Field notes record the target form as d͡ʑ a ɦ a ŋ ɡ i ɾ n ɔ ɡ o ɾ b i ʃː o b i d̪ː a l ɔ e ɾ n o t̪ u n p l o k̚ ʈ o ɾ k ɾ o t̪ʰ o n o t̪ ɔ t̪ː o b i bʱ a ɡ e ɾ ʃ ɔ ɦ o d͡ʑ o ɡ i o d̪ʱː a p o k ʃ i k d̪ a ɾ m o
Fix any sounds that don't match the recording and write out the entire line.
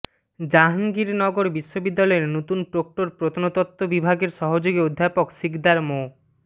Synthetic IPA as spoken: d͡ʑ a ɦ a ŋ ɡ i ɾ n ɔ ɡ o ɾ b i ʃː o b i d̪ː a l ɔ e ɾ n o t̪ u n p ɾ o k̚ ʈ o ɾ p ɾ o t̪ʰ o n o t̪ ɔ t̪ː o b i bʱ a ɡ e ɾ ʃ ɔ ɦ o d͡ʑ o ɡ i o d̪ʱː a p o k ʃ i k d̪ a ɾ m o